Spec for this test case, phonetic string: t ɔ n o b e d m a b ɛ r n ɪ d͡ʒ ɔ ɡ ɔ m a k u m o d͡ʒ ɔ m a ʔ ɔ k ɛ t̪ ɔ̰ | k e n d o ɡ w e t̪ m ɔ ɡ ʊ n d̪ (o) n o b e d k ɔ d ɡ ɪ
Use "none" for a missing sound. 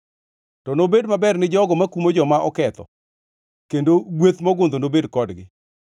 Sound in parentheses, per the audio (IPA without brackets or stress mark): o